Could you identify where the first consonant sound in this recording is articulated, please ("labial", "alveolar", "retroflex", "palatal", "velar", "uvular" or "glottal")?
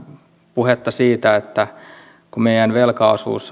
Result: labial